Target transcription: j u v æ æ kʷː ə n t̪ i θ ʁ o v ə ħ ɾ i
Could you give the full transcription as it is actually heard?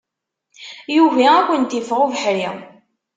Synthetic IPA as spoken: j u v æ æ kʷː ə n t̪ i f ʁ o v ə ħ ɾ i